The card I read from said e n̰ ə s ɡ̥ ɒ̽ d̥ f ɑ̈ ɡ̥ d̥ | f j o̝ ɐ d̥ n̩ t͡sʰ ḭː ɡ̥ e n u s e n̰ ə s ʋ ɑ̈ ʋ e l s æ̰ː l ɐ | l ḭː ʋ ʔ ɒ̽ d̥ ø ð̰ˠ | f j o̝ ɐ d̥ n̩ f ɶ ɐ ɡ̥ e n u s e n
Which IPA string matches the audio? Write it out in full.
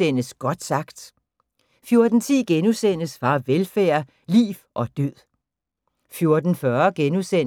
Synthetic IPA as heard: e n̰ ə s ɡ̥ ɒ̽ d̥ s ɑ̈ ɡ̥ d̥ | f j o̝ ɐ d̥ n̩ t͡sʰ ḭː ɡ̥ e n u s e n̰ ə s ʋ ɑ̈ ʋ e l f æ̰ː ɐ | l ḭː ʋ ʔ ɒ̽ d̥ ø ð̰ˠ | f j o̝ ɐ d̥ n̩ f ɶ ɐ ɡ̥ e n u s e n